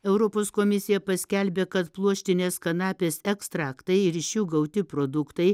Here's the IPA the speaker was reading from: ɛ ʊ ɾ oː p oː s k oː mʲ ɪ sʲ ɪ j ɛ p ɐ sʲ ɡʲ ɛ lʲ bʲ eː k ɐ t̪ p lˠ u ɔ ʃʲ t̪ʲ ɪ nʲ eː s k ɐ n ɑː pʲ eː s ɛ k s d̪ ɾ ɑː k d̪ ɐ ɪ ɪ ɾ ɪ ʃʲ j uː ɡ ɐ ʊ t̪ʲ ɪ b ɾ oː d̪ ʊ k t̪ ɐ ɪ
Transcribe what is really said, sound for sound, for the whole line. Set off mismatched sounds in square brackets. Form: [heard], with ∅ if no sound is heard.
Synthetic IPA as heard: ɛ ʊ ɾ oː p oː s k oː mʲ ɪ sʲ ɪ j ɛ p ɐ sʲ [kʲ] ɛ lʲ bʲ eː k ɐ t̪ p lˠ u ɔ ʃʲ t̪ʲ ɪ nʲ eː s k ɐ n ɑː pʲ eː s ɛ k s [t̪] ɾ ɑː k [t̪] ɐ ɪ ɪ ɾ ɪ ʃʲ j uː ɡ ɐ ʊ t̪ʲ ɪ [p] ɾ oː d̪ ʊ k t̪ ɐ ɪ